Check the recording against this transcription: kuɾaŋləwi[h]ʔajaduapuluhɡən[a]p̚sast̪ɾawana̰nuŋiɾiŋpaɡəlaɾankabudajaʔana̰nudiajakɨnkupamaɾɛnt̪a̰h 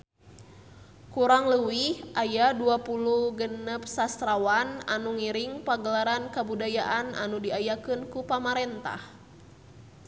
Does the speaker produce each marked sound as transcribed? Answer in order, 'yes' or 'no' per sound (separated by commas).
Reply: yes, no